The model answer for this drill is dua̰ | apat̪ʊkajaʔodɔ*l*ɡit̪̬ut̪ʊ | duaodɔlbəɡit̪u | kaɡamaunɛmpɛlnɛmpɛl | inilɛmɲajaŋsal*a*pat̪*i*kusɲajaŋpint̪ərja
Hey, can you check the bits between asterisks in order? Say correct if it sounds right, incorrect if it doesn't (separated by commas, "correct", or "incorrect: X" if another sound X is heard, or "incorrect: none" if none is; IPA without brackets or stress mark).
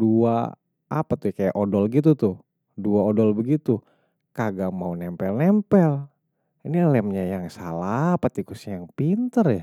correct, correct, correct